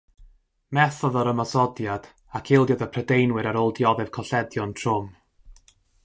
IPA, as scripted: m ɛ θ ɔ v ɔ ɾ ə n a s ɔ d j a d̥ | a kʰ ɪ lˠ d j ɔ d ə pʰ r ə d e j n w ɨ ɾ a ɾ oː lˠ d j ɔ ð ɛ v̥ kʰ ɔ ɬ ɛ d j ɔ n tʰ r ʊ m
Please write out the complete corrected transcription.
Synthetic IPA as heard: m ɛ θ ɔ ð ɔ ɾ ə m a s ɔ d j a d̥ | a kʰ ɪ lˠ d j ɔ d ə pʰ r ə d e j n w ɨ ɾ a ɾ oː lˠ d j ɔ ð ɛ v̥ kʰ ɔ ɬ ɛ d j ɔ n tʰ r ʊ m